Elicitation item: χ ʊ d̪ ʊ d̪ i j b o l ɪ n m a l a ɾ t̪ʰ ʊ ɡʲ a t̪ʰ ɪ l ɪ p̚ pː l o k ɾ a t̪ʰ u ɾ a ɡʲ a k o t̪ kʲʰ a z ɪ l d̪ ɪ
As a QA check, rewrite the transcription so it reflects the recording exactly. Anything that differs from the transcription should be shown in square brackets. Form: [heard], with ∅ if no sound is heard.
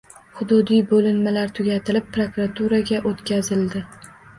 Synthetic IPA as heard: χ ʊ d̪ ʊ d̪ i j b o l ɪ n m a l a ɾ t̪ʰ ʊ ɡʲ a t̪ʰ ɪ l ɪ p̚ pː [ɾ] o k ɾ a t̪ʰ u ɾ a ɡʲ a [ʔ] o t̪ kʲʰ a z ɪ l d̪ ɪ